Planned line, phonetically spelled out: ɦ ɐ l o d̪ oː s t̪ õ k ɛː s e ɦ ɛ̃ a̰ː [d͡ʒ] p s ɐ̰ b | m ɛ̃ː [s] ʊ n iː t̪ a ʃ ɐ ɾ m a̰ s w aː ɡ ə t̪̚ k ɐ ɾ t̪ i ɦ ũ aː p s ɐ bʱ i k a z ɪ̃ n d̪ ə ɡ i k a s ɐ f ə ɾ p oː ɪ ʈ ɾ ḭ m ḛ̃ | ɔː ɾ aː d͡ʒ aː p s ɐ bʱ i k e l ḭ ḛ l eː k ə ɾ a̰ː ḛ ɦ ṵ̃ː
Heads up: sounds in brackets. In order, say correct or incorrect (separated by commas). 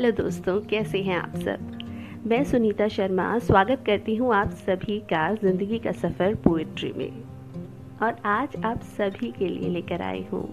incorrect, correct